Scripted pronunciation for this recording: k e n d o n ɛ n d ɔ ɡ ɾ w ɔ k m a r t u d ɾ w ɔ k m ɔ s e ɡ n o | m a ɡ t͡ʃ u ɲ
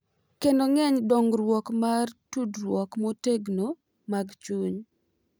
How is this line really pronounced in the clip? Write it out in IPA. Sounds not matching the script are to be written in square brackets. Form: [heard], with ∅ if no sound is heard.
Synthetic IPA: k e n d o [ŋ] ɛ [ɲ] d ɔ [ŋ] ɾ w ɔ k m a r t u d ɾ w ɔ k m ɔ [t] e ɡ n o | m a ɡ t͡ʃ u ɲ